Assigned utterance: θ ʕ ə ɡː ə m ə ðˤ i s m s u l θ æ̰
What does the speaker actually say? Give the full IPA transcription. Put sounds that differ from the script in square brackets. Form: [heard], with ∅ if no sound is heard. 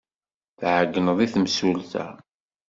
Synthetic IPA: θ ʕ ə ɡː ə [n] ə ðˤ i [θ] m s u l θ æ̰